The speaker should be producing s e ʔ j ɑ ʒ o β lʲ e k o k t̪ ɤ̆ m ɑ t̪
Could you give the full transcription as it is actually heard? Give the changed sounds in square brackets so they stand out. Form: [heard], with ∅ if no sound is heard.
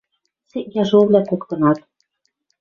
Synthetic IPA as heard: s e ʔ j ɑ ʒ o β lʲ [æ] k o k t̪ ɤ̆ [n] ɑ t̪